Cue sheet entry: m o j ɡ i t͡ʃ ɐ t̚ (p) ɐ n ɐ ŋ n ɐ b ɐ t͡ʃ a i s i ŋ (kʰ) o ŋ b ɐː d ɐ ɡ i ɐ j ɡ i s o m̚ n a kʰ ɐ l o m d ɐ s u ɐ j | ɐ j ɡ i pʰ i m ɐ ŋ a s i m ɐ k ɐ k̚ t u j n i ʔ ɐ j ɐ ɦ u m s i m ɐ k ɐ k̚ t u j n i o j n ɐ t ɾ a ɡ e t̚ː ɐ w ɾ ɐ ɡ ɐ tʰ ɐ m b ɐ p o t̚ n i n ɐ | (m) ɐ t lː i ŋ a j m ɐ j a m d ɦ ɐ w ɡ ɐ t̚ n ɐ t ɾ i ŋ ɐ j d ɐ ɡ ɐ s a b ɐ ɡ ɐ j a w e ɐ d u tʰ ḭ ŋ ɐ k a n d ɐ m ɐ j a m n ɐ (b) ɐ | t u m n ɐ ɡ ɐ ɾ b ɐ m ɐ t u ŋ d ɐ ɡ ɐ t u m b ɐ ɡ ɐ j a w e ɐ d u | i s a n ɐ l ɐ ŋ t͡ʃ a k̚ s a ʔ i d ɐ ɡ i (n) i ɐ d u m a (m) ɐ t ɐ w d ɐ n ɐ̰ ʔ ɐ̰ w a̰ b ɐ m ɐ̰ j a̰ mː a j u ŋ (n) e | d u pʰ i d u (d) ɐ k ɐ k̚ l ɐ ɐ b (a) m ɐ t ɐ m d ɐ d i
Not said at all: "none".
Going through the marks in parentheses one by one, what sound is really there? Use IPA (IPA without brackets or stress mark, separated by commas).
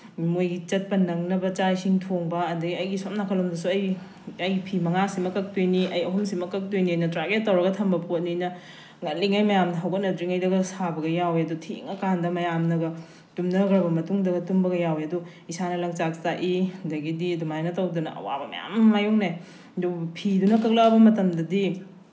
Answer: p, tʰ, ŋ, ɡ, d, n, n, n, ɐ